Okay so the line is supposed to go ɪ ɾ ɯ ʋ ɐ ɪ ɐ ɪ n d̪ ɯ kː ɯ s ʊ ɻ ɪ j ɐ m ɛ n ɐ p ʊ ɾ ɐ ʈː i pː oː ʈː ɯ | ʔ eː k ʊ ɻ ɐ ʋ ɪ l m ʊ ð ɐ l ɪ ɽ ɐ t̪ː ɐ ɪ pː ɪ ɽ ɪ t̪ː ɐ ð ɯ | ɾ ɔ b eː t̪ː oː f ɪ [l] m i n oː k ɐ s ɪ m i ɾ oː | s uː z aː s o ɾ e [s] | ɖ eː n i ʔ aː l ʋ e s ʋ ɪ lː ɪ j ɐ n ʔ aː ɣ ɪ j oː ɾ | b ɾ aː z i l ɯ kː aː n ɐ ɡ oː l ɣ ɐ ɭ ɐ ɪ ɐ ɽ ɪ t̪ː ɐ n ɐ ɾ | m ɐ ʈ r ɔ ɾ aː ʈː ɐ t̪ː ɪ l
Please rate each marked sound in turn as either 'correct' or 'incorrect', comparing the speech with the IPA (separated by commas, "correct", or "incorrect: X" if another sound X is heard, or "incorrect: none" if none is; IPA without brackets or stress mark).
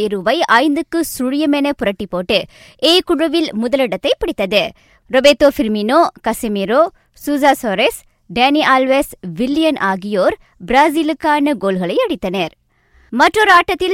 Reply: incorrect: ɾ, correct